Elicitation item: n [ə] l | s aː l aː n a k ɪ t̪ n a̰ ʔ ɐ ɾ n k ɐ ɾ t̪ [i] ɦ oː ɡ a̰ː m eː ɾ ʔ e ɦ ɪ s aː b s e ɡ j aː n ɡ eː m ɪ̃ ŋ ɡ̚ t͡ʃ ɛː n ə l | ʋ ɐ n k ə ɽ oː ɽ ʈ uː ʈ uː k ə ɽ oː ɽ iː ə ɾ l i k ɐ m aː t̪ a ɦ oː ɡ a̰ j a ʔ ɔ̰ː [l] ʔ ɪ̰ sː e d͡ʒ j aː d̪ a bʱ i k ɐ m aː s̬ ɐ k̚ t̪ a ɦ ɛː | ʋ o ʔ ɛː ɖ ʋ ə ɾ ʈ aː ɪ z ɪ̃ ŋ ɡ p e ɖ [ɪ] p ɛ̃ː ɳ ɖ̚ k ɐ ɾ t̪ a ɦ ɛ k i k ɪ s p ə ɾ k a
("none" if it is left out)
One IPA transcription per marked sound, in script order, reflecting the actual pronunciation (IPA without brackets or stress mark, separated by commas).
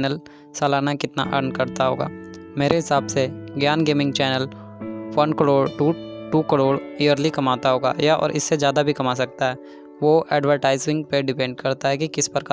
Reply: ə, a, ɾ, ɪ